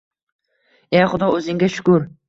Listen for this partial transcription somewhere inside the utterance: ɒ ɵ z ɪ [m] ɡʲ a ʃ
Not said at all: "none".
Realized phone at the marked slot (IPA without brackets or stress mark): ŋ